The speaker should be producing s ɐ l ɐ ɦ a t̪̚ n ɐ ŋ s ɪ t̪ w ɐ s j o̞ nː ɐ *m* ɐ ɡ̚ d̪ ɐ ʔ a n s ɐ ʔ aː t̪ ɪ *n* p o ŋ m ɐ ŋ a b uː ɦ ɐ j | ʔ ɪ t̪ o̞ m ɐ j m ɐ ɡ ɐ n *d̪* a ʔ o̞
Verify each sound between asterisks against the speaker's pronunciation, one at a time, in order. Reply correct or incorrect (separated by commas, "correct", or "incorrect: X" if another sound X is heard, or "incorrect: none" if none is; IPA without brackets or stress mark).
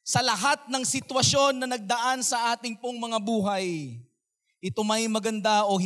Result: incorrect: n, incorrect: ŋ, correct